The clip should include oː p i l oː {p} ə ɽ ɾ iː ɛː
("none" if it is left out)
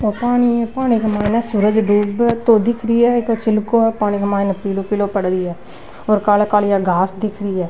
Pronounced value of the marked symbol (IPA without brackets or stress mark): p